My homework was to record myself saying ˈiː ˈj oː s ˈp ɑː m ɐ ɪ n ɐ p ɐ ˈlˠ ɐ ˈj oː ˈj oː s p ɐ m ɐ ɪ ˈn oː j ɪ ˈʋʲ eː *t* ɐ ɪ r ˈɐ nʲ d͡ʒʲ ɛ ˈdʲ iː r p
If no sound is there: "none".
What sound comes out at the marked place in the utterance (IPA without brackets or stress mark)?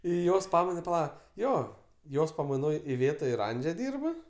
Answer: t